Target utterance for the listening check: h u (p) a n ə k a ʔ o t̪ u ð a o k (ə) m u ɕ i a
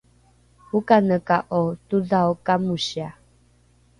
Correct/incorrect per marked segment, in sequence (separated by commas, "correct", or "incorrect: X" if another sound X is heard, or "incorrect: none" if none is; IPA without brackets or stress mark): incorrect: k, incorrect: a